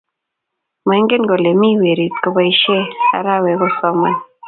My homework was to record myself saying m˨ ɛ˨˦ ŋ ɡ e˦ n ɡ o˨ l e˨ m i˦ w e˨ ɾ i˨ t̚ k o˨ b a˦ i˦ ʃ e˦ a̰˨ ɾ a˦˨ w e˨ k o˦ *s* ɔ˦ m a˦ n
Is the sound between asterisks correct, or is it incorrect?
correct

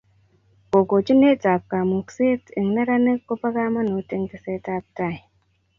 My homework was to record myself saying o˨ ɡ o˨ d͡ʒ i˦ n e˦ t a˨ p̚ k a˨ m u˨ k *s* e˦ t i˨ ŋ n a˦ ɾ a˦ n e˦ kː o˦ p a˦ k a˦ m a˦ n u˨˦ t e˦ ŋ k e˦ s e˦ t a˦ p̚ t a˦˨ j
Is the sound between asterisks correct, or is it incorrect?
correct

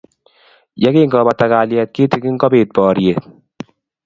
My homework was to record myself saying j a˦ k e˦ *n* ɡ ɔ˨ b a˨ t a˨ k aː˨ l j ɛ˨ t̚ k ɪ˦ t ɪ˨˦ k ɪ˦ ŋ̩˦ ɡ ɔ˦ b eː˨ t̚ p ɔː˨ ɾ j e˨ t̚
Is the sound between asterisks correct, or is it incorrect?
incorrect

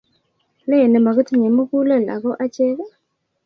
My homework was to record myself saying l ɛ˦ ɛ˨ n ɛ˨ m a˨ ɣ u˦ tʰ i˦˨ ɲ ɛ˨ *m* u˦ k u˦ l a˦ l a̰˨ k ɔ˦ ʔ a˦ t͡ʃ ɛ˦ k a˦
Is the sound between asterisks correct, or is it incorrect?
correct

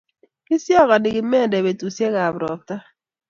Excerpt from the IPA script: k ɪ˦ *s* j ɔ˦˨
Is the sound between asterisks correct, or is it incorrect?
correct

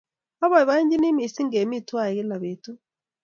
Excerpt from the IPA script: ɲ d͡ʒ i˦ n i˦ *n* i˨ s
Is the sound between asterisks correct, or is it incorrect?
incorrect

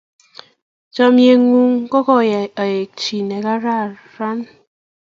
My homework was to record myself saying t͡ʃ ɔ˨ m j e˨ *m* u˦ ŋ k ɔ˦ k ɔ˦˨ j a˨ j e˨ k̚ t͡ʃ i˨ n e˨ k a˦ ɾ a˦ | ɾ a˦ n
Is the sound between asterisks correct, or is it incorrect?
incorrect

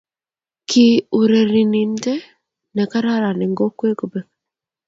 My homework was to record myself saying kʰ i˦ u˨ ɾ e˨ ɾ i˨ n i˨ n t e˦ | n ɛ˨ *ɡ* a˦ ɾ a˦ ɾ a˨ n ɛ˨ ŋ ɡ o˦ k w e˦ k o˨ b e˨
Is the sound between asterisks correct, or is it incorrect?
incorrect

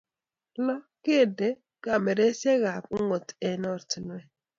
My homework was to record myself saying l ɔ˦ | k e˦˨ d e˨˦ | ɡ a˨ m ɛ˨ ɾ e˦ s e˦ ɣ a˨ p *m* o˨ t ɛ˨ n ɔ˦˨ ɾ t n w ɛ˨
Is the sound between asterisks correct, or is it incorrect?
incorrect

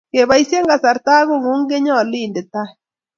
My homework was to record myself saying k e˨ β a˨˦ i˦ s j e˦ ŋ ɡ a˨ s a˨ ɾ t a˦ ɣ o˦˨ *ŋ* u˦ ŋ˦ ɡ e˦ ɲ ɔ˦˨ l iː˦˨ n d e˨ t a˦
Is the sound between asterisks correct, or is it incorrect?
correct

